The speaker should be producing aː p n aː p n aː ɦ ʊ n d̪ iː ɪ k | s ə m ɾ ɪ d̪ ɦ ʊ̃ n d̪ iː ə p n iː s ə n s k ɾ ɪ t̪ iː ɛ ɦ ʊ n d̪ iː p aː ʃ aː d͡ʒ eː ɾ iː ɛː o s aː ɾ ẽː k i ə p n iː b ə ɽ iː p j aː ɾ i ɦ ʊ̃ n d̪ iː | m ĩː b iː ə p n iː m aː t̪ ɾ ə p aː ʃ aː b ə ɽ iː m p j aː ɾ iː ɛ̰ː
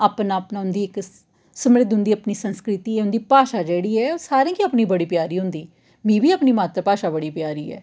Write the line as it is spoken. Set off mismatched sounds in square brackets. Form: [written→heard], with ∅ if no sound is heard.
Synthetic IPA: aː p n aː p n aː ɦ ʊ n d̪ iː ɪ k | s ə m ɾ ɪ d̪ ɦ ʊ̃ n d̪ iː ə p n iː s ə n s k ɾ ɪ t̪ iː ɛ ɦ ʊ n d̪ iː p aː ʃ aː d͡ʒ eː [ɾ→ɽ] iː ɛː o s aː ɾ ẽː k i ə p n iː b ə ɽ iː p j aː ɾ [i→iː] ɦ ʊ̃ n d̪ iː | m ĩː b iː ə p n iː m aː t̪ ɾ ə p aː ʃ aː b ə ɽ iː [m→∅] p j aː ɾ iː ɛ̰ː